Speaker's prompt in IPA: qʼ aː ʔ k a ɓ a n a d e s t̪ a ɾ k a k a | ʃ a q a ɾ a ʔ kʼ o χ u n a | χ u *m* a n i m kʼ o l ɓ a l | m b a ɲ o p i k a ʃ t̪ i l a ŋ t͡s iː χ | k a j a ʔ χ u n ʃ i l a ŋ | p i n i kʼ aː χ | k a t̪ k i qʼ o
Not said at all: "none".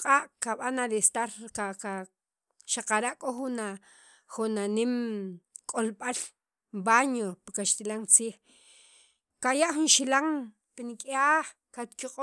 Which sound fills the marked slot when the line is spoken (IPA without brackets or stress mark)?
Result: n